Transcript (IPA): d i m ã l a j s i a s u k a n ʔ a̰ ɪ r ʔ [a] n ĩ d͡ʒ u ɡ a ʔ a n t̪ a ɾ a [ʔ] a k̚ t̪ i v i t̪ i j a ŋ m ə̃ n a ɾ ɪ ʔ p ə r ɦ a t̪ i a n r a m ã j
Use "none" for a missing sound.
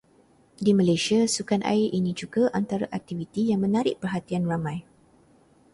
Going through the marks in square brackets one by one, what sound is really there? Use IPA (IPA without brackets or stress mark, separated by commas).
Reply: i, ʔ